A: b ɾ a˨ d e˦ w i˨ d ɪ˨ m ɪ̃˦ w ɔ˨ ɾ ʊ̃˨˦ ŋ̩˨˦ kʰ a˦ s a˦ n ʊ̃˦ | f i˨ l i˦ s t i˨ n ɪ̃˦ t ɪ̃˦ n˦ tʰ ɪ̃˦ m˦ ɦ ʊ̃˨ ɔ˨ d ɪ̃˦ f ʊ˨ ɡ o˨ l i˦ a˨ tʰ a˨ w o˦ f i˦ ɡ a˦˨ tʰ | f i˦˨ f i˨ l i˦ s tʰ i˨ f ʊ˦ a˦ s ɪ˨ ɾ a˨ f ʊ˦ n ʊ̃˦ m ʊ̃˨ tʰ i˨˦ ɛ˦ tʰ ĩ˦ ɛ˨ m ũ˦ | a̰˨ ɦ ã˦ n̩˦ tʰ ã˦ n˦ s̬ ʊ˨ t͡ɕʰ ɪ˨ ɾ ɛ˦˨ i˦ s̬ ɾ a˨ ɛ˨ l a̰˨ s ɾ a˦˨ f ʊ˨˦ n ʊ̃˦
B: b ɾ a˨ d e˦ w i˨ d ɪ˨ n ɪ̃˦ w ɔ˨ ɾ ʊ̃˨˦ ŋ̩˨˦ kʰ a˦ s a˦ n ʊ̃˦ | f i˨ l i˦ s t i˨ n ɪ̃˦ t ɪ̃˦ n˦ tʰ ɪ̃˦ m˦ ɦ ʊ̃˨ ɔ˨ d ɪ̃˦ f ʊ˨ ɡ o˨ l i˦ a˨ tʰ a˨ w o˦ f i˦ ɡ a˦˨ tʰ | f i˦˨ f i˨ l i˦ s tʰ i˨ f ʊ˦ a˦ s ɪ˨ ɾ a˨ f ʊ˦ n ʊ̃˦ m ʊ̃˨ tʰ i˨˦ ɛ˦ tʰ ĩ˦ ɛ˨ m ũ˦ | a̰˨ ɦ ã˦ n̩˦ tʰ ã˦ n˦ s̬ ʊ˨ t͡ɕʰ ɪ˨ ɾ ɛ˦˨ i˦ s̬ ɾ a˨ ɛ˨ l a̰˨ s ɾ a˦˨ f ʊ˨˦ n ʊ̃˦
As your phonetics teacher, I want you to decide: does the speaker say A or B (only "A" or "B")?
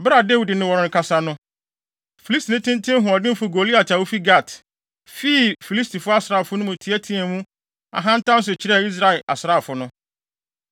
B